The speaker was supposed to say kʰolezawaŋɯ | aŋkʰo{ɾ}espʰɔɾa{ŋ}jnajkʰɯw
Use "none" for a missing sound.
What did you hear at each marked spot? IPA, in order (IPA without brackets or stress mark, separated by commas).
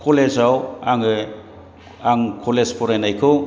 l, none